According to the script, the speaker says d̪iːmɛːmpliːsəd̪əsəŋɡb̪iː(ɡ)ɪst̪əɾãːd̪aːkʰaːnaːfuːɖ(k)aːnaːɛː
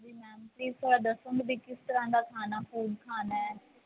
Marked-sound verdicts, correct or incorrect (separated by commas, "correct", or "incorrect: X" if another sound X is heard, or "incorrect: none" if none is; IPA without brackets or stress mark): incorrect: k, incorrect: kʰ